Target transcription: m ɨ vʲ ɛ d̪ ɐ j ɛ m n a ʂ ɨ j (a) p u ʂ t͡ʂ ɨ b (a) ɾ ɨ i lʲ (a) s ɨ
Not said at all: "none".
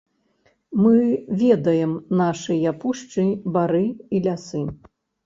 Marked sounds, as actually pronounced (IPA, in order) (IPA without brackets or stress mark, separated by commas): a, a, a